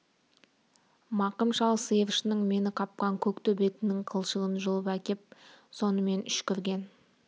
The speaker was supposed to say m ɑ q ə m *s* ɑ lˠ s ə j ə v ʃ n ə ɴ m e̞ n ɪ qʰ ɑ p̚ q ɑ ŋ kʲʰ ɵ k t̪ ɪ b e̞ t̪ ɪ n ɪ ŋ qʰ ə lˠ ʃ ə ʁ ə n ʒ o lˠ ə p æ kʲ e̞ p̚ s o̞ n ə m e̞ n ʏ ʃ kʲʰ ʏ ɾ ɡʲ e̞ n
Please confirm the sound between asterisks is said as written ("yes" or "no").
no